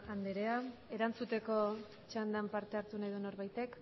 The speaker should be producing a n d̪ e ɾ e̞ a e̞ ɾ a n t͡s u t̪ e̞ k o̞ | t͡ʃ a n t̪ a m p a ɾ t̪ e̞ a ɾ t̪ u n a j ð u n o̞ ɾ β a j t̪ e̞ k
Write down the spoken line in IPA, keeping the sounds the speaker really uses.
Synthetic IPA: a n d̪ e ɾ e̞ a e̞ ɾ a n t͡s u t̪ e̞ k o̞ | t͡ʃ a n d̪ a m p a ɾ t̪ e̞ a ɾ t̪ u n a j ð u n o̞ ɾ β a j t̪ e̞ k